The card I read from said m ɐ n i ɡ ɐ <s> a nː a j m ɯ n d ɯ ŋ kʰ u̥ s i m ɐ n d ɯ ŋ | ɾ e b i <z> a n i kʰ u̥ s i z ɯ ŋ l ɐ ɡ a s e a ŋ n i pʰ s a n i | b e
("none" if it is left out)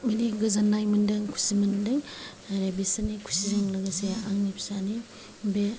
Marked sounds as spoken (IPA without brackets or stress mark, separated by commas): z, s